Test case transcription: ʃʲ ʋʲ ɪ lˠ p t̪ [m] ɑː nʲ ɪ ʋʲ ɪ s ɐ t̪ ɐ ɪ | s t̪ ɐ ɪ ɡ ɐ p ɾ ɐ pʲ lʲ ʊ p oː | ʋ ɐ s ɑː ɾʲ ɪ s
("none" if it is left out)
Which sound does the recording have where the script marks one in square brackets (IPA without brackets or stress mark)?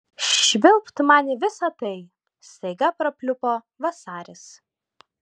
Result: m